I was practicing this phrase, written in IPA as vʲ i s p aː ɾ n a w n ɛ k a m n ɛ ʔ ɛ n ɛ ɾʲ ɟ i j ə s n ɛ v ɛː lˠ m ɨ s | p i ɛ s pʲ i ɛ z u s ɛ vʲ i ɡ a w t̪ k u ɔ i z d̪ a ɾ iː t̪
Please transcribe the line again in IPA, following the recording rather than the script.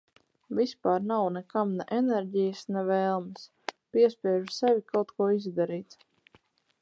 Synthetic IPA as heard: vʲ i s p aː ɾ n a w n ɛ k a m n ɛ ʔ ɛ n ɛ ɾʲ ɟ i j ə s n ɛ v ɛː lˠ m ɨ s | p i ɛ s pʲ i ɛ ʒ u s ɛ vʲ i k a w t̪ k u ɔ i z d̪ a ɾ iː t̪